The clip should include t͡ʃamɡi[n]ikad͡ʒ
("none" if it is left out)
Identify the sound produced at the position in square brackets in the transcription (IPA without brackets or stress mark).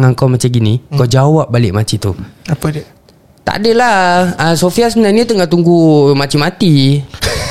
n